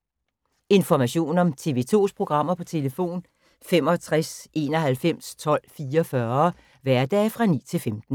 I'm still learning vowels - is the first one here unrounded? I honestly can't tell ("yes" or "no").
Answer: yes